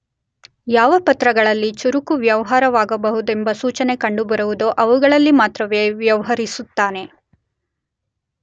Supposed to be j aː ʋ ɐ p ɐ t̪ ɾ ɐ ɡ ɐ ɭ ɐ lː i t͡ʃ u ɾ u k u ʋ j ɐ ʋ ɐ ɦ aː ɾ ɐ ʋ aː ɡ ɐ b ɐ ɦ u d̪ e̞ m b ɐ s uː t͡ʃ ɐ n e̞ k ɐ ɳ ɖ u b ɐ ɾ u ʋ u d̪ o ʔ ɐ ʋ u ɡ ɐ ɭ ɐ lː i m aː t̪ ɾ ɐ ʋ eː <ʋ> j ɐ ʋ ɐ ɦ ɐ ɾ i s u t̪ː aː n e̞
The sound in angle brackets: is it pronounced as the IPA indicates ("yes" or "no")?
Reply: yes